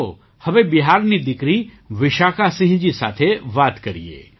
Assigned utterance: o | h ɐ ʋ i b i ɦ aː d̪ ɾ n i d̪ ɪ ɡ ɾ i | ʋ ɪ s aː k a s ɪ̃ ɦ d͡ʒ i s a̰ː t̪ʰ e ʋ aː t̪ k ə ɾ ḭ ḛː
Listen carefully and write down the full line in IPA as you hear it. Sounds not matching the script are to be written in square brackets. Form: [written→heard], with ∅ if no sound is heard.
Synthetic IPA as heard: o | h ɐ ʋ [i→e] b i ɦ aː [d̪→∅] ɾ n i d̪ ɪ [ɡ→k] ɾ i | ʋ ɪ [s→ʃ] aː k a s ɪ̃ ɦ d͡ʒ i s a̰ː t̪ʰ e ʋ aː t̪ k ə ɾ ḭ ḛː